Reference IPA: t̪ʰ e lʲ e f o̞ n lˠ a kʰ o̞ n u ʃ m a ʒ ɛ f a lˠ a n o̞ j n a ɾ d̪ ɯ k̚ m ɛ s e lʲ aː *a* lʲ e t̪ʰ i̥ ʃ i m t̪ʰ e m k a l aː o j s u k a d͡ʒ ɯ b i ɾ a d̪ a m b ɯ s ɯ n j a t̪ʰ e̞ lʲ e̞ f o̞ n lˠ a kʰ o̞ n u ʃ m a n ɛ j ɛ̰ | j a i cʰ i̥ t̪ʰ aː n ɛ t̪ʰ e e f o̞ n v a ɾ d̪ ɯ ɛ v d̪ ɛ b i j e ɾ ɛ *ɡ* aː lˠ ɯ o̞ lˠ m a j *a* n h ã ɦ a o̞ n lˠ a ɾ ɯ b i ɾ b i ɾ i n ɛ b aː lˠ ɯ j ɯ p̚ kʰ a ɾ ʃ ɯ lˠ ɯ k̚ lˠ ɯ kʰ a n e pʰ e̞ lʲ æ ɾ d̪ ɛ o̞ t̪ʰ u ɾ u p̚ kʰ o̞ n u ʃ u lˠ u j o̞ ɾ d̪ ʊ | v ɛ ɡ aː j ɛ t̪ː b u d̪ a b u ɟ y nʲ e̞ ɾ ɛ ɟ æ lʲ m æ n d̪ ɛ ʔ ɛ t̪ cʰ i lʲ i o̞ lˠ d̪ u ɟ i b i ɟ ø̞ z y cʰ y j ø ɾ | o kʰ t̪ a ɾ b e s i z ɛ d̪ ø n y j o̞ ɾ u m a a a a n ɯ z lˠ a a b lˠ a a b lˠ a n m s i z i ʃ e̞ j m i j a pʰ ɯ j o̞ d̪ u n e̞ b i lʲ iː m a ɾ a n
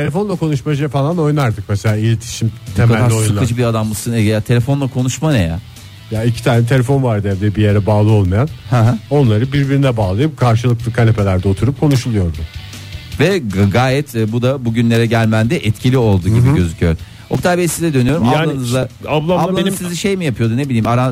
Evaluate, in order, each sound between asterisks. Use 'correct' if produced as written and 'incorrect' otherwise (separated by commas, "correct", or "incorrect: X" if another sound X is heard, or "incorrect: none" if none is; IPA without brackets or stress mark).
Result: incorrect: i, incorrect: b, correct